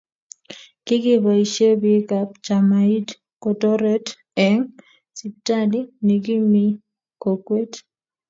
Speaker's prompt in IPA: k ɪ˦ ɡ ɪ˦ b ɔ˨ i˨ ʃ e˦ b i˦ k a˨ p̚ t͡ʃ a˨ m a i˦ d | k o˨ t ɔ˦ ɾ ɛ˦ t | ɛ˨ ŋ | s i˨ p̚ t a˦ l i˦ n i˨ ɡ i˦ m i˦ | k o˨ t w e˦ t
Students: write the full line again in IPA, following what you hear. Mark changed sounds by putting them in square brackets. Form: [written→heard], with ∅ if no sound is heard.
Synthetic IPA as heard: k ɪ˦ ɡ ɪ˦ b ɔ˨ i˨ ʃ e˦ b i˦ k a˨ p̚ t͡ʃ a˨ m a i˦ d | k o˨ t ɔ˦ ɾ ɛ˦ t | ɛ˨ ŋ | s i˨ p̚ t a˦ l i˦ n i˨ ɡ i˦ m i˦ | k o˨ [t→k] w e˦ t

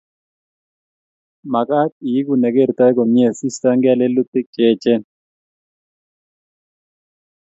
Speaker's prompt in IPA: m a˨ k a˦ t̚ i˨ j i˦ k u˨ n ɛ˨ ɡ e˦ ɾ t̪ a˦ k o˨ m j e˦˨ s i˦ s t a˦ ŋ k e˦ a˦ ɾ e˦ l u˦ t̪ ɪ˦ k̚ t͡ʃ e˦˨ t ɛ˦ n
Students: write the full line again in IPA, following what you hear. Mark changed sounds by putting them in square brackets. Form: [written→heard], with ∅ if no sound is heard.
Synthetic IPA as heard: m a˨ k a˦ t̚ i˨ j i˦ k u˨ n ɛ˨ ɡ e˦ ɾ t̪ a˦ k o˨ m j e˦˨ s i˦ s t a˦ ŋ [k→ɡ] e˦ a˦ [ɾ→l] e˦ l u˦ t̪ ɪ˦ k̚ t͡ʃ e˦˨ [t→t͡ʃ] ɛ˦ n

